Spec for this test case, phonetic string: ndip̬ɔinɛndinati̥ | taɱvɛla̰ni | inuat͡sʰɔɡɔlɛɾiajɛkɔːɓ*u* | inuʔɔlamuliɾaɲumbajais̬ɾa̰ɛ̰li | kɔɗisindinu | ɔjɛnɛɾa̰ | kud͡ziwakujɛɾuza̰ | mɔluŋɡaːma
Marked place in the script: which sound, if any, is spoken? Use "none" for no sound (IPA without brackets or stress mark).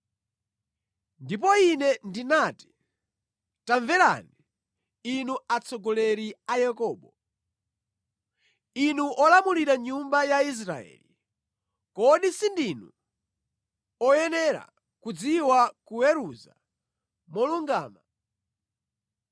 ɔ